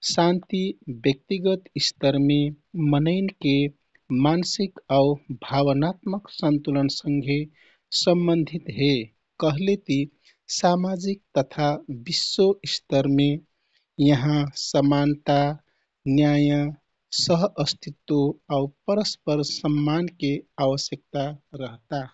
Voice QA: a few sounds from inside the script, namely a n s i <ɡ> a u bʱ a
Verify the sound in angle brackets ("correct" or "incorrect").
incorrect